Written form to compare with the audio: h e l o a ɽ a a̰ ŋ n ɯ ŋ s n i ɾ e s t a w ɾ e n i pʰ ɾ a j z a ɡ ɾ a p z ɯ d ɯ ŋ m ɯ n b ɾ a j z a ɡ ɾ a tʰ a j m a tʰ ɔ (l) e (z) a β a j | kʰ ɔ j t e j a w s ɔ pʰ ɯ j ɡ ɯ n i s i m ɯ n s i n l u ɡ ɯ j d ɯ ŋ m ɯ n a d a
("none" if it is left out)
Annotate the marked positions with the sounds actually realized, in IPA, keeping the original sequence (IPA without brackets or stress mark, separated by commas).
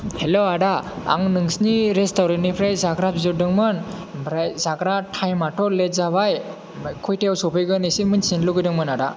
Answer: l, z